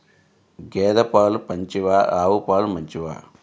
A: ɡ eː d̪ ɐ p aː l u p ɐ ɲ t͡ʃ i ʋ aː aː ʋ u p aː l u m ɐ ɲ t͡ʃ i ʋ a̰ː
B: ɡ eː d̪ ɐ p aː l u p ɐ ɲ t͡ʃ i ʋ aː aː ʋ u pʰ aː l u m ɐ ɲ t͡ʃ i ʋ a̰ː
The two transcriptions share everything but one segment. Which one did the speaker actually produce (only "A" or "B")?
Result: A